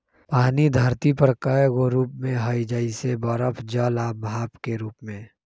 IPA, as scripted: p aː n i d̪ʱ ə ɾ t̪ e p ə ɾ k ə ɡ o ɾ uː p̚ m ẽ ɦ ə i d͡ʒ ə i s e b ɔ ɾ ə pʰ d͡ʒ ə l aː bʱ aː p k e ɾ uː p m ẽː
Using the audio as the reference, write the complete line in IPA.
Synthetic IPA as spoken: p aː n i d̪ʱ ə ɾ t̪ i p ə ɾ k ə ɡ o ɾ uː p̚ m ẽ ɦ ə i d͡ʒ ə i s e b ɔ ɾ ə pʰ d͡ʒ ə l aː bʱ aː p k e ɾ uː p m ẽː